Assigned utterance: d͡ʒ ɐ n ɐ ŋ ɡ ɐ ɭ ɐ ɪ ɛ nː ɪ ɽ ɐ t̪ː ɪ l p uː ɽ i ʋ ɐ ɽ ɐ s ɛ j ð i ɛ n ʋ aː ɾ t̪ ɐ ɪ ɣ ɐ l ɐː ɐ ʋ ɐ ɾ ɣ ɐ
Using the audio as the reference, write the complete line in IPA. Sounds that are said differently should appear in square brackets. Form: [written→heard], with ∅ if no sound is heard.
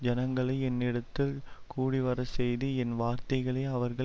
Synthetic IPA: d͡ʒ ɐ n ɐ ŋ ɡ ɐ ɭ ɐ ɪ ɛ nː ɪ ɽ ɐ t̪ː ɪ l [p→k] uː ɽ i ʋ ɐ [ɽ→ɾ] ɐ s ɛ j ð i ɛ n ʋ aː ɾ t̪ ɐ ɪ ɣ ɐ [l→ɭ] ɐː ɐ ʋ ɐ ɾ ɣ ɐ